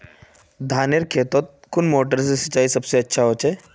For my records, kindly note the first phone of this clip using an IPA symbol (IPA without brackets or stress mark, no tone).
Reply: d̪ʱ